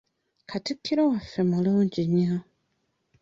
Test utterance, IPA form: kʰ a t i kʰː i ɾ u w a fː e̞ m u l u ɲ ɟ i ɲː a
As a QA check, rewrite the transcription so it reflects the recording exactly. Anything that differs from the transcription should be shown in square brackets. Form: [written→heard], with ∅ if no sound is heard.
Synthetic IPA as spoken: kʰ a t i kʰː i ɾ [u→o] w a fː e̞ m u l [u→uː] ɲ ɟ i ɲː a